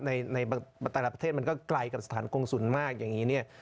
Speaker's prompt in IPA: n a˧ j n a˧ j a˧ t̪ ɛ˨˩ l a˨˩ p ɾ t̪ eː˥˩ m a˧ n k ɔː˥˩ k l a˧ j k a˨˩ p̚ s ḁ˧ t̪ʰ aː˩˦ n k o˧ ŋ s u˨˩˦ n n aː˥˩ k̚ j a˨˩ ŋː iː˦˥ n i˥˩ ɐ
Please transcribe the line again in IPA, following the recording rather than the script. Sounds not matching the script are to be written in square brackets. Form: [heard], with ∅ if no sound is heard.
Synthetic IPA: n a˧ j n a˧ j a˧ t̪ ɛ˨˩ l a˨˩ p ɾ [t̪ʰ] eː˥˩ m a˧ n k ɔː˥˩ k l a˧ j k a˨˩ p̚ s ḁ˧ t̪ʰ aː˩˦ n k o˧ ŋ s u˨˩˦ n [m] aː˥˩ k̚ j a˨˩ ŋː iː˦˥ n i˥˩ ɐ